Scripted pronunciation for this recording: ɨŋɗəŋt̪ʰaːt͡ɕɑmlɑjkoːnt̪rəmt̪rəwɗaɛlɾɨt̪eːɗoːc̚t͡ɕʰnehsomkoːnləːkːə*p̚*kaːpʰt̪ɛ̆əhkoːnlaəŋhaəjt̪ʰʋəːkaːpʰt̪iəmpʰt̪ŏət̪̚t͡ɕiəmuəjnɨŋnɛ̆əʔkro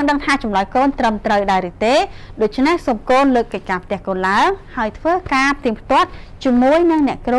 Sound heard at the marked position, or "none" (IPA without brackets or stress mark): c̚